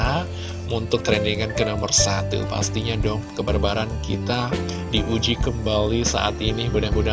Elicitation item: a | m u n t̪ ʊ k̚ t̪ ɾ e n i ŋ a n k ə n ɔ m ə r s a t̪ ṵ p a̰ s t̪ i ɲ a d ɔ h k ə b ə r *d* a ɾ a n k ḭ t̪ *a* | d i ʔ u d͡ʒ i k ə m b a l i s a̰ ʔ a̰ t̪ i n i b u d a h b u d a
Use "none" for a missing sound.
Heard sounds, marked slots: b, a

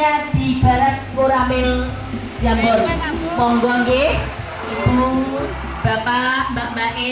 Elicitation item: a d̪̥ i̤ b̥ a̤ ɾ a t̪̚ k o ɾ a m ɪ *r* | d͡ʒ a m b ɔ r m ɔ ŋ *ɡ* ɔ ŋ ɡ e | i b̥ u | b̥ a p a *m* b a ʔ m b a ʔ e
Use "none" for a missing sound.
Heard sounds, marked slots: l, ɡ, m

